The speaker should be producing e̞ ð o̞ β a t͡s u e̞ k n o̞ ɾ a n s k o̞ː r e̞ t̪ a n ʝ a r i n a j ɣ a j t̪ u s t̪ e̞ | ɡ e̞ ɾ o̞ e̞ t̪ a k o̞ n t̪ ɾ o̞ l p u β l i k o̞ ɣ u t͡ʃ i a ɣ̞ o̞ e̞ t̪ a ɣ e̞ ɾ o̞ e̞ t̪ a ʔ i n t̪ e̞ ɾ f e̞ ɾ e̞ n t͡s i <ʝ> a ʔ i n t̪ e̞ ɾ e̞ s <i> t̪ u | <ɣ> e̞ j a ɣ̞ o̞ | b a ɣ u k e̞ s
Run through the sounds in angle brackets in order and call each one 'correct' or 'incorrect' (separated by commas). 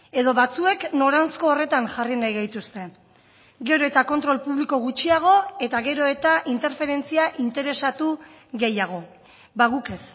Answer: incorrect, incorrect, correct